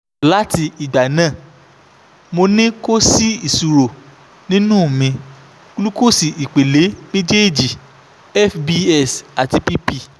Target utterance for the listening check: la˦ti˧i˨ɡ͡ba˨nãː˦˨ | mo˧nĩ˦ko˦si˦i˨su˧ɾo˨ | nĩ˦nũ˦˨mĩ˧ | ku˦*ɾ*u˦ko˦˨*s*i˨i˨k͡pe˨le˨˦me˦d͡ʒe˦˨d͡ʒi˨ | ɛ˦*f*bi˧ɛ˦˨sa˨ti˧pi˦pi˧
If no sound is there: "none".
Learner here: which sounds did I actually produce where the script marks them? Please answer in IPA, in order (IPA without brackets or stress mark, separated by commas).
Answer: l, s, f